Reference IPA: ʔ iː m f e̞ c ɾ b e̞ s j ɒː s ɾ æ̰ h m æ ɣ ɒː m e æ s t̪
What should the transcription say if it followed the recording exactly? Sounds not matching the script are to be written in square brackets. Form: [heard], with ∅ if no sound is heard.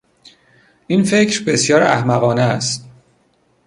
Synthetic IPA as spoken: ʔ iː [n] f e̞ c ɾ b e̞ s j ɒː [∅] ɾ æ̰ h m æ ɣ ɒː [n] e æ s t̪